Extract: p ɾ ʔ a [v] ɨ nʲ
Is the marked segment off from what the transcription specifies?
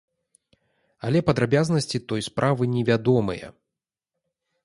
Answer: no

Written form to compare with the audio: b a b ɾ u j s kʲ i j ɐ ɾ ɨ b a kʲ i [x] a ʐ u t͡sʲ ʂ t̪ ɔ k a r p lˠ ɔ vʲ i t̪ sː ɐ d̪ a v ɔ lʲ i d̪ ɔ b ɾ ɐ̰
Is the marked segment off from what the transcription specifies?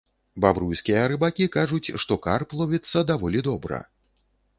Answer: yes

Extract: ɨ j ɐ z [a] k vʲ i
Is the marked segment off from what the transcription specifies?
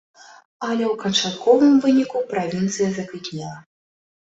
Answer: yes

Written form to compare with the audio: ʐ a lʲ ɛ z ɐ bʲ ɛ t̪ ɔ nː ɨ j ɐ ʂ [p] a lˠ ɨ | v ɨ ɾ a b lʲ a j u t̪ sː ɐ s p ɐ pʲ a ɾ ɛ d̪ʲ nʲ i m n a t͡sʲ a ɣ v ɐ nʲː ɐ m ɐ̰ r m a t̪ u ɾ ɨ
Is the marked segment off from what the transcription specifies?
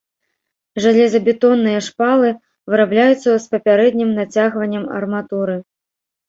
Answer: no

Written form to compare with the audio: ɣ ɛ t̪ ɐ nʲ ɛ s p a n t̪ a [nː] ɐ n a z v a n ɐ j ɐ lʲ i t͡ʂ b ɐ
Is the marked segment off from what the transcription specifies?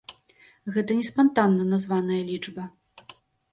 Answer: no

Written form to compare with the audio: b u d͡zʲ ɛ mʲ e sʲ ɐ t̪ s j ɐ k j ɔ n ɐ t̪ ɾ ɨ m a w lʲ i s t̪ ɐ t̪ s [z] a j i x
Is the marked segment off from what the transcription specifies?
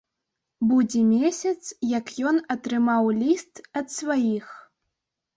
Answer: yes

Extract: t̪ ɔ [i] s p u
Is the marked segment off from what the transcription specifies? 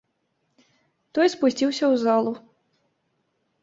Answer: yes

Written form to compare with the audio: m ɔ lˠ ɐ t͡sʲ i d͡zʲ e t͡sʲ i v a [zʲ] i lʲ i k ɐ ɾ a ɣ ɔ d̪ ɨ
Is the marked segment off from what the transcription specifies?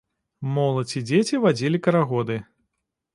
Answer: yes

